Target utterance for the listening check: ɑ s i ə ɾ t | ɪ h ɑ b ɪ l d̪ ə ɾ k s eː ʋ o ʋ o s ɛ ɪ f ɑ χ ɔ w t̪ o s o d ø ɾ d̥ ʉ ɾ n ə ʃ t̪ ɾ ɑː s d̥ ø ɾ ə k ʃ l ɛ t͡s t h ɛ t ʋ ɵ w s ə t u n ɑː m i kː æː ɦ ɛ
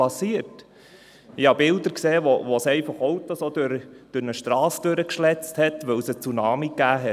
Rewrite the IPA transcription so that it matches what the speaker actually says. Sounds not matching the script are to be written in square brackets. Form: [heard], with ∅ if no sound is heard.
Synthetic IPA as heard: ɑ s i ə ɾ t | ɪ h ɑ b ɪ l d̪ ə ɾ k s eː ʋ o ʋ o s ɛ ɪ f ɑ χ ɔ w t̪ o s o d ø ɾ d̥ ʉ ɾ n ə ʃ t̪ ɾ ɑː s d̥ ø ɾ ə k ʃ l ɛ t͡s t h ɛ t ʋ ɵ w s ə [t͡s] u n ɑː m i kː æː ɦ ɛ

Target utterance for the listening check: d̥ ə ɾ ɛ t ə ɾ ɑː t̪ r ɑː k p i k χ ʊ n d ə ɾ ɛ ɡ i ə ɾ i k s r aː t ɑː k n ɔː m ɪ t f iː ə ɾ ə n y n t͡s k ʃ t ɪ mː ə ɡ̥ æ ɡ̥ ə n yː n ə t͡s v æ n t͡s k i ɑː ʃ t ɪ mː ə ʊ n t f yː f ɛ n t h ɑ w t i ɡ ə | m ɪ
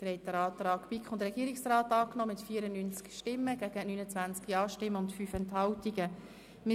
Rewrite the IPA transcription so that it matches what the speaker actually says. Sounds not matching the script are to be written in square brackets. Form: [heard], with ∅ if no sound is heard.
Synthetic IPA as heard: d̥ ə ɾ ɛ t ə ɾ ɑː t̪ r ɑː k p i k χ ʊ n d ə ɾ ɛ ɡ i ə ɾ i k s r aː t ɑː k n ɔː m ɪ t f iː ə ɾ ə n y n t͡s k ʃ t ɪ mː ə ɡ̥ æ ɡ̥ ə n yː n ə t͡s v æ n t͡s k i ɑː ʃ t ɪ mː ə ʊ n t f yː f ɛ n t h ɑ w t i ɡ ə | m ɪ

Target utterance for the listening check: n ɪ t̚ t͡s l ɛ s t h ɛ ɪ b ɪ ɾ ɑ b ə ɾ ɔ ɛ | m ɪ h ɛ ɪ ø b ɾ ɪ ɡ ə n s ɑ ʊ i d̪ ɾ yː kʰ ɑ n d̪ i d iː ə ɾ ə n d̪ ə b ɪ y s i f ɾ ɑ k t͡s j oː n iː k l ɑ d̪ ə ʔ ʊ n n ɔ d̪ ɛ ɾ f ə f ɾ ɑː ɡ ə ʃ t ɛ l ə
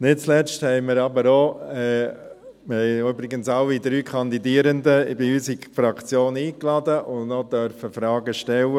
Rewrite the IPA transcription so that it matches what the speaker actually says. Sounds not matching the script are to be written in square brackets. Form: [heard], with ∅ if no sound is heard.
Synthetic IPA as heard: n ɪ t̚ t͡s l ɛ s t h ɛ ɪ [m] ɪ ɾ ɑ b ə ɾ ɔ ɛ | m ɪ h ɛ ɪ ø b ɾ ɪ ɡ ə n s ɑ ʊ i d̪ ɾ yː kʰ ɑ n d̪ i d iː ə ɾ ə n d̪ ə b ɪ y s i f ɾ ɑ k t͡s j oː n iː k l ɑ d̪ ə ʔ ʊ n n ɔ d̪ [œ] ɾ f ə f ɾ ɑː ɡ ə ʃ t ɛ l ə

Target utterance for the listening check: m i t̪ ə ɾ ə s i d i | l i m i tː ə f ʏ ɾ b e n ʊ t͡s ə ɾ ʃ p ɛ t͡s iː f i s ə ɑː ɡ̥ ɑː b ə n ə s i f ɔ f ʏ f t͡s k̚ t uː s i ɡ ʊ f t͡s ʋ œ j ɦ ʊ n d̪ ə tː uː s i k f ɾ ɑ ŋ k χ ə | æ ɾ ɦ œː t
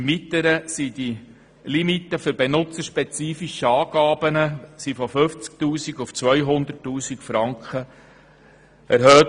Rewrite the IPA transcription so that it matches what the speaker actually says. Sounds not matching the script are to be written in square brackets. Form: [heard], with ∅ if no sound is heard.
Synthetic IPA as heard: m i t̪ ə ɾ ə s i d i | l i m i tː ə f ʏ ɾ b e n ʊ t͡s ə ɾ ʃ p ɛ t͡s iː f i [ʃ] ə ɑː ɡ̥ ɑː b ə n ə s i f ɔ f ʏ f t͡s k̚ t uː s i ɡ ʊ f t͡s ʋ œ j ɦ ʊ n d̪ ə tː uː s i k f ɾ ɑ ŋ k χ ə | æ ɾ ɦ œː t

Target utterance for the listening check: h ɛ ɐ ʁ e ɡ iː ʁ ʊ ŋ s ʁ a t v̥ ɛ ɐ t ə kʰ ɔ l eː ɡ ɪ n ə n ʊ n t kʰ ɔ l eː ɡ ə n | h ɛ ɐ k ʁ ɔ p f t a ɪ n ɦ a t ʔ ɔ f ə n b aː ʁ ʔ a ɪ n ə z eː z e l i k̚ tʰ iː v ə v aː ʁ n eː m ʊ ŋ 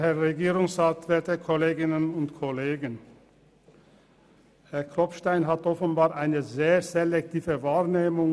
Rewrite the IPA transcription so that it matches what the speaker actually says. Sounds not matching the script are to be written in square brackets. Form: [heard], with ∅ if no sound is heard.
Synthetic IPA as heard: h ɛ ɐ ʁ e ɡ iː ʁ ʊ ŋ s ʁ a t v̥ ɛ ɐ t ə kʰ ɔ l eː ɡ ɪ n ə n ʊ n t kʰ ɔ l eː ɡ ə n | h ɛ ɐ k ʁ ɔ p [ʃ] t a ɪ n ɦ a t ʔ ɔ f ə n b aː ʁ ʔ a ɪ n ə z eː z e l [ɛ] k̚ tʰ iː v ə v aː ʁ n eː m ʊ ŋ

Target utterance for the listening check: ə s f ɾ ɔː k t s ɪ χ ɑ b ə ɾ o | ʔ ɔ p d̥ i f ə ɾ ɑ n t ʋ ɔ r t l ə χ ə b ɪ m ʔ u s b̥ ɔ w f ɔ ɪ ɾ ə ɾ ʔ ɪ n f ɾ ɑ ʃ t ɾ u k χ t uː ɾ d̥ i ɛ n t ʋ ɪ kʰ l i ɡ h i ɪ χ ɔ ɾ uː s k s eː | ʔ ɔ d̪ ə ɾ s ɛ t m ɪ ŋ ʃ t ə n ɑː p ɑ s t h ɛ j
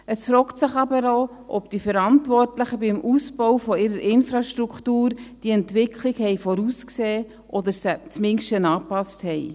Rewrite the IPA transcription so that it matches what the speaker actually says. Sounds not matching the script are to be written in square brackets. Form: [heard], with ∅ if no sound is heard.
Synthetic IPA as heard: ə s f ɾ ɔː k t s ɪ χ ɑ b ə ɾ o | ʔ ɔ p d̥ i f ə ɾ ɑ n t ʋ ɔ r t l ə χ ə b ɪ m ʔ u s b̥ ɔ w f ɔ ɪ ɾ ə ɾ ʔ ɪ n f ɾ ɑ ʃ t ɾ u k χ t uː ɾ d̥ i ɛ n t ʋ ɪ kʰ l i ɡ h [ɛ] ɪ [f] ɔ ɾ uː s k s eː | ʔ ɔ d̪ ə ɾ s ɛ [t͡s] m ɪ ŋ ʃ t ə n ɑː p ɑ s t h ɛ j

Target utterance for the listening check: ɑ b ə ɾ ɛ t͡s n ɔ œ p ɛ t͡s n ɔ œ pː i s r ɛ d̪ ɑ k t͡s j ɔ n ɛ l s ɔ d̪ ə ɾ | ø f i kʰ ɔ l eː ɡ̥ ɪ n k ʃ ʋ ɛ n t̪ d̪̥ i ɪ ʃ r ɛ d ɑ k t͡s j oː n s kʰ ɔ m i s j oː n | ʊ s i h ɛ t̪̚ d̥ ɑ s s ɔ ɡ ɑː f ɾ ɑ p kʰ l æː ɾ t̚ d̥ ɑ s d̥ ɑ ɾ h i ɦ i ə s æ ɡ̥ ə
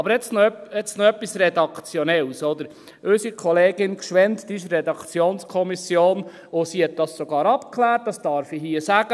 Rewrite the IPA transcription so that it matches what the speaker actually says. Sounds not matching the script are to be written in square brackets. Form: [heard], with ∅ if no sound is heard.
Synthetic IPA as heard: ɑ b ə ɾ ɛ t͡s n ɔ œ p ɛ t͡s n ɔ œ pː i s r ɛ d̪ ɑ k t͡s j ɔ n ɛ l s ɔ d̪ ə ɾ | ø [s] i kʰ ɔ l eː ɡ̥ ɪ n k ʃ ʋ ɛ n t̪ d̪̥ i ɪ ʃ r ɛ d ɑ k t͡s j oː n s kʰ ɔ m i s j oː n | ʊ s i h ɛ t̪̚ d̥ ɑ s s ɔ ɡ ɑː [∅] ɾ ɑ p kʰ l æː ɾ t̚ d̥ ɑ s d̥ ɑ ɾ [f] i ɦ i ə s æ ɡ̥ ə

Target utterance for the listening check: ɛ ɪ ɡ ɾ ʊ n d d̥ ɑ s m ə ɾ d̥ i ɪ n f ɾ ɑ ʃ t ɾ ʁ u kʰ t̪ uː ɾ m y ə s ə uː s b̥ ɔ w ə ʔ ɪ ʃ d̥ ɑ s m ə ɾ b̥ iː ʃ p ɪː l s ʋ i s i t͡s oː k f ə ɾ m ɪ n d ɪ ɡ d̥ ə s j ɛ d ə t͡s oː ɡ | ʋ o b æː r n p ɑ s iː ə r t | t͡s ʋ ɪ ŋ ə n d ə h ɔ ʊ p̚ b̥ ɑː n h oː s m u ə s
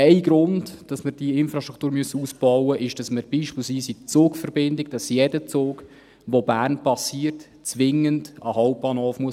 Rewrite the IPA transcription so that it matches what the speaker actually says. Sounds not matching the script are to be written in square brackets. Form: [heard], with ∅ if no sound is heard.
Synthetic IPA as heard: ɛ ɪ ɡ ɾ ʊ n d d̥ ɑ s m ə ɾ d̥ i ɪ n f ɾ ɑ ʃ t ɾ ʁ u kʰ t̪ uː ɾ m y ə s ə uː s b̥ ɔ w ə ʔ ɪ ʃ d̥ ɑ s m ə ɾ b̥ iː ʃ p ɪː l s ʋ [iː] s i t͡s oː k f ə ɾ [b] ɪ n d ɪ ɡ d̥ [ɑ] s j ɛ d ə t͡s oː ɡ | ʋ o b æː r n p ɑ s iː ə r t | t͡s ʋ ɪ ŋ ə n d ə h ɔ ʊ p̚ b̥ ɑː n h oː [f] m u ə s

